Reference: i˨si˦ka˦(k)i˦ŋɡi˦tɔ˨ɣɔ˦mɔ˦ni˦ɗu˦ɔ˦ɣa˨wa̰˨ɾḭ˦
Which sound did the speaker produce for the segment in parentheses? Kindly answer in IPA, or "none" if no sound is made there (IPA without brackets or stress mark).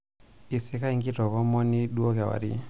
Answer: none